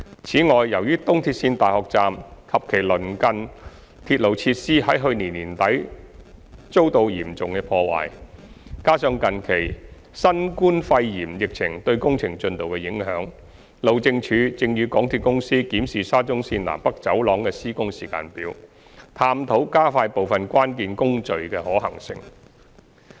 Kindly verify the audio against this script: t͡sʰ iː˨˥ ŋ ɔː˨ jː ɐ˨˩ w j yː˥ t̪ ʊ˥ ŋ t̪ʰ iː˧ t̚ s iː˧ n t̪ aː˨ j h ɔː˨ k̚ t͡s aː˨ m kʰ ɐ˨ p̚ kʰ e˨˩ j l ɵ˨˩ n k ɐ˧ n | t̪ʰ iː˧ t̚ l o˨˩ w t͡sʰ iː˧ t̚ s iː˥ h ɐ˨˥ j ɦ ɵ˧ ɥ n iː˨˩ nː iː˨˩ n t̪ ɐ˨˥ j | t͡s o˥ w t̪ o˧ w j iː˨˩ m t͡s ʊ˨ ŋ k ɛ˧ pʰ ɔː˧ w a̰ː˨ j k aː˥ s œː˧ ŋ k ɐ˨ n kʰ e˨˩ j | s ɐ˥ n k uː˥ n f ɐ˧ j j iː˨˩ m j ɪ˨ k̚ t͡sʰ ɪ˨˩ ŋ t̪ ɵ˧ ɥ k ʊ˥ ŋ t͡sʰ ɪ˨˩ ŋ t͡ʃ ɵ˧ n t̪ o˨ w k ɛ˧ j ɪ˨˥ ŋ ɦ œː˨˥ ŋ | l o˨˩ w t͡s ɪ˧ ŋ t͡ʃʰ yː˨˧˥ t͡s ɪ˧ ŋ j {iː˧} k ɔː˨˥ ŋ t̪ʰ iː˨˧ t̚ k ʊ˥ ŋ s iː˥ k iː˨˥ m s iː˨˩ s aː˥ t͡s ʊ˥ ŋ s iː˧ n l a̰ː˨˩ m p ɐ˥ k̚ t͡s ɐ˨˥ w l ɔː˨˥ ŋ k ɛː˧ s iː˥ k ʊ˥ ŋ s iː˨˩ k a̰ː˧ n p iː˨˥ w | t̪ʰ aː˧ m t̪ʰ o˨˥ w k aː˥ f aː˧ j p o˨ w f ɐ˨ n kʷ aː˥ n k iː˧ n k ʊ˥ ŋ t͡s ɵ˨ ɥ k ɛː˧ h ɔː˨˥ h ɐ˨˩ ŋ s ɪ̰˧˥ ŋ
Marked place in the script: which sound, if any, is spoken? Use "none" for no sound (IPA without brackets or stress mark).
yː˧